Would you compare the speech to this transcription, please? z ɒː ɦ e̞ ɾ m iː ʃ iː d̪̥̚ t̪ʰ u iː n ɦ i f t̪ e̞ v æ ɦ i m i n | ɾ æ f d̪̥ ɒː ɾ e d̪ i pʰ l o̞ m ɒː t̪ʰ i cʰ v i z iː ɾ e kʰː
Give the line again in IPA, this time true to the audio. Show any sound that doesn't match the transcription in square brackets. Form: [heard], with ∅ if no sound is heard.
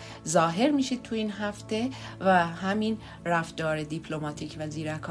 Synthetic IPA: z ɒː ɦ e̞ ɾ m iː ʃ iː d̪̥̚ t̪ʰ u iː n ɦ [æ] f t̪ e̞ v æ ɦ [æ] m i n | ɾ æ f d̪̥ ɒː ɾ e d̪ i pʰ l o̞ m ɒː t̪ʰ i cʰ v [æ] z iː ɾ [æ] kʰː